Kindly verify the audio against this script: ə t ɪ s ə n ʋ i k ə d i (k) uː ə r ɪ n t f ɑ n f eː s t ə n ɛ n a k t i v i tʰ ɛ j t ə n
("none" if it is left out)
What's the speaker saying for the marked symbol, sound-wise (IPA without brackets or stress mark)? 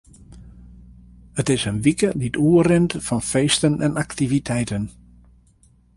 t